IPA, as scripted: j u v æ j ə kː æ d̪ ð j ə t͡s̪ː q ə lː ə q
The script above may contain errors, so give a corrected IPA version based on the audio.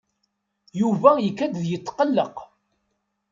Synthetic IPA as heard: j u v æ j ə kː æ d̪ ð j ə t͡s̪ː q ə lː ə q

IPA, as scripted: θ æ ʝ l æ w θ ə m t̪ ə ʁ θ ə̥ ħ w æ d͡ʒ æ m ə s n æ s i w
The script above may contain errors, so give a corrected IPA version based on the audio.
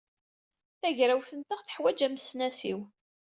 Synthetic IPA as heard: θ æ ʝ ɾ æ w θ ə n t̪ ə ʁ θ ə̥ ħ w æ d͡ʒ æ m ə s n æ s i w

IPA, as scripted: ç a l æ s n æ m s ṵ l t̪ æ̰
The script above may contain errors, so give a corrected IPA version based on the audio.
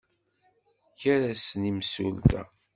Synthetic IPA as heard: ç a ɾ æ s n i m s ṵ l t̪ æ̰

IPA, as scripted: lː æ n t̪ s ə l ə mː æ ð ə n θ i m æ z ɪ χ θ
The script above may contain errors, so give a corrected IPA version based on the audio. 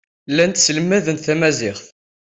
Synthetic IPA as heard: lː æ n t̪ s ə l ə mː æ ð ə n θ æ m æ z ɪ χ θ

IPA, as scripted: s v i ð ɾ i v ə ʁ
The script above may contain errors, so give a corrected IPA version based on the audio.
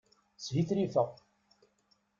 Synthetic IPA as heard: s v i θ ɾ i f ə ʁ

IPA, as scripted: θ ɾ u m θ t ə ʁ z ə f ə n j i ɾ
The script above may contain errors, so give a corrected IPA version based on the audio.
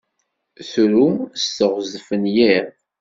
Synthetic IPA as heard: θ ɾ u m s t ə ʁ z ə f ə n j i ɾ

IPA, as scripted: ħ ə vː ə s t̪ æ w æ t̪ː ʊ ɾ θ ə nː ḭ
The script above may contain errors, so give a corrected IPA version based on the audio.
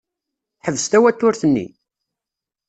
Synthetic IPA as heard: ħ ə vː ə s t̪ æ w æ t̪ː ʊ ɾ θ ə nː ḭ

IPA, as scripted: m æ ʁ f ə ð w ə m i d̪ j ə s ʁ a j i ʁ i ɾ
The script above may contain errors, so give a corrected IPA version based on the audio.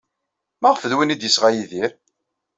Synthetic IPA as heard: m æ ʁ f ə ð w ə n i d̪ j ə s ʁ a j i ð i ɾ

